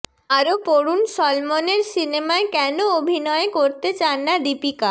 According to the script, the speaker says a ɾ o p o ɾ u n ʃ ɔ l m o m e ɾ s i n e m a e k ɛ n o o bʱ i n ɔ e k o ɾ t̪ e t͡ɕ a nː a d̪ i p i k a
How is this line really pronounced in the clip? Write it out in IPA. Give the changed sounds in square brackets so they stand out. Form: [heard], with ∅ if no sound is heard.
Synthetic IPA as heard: a ɾ o p o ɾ u n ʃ ɔ l m o [n] e ɾ s i n e m a e k ɛ n o o bʱ i n ɔ e k o ɾ t̪ e t͡ɕ a nː a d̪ i p i k a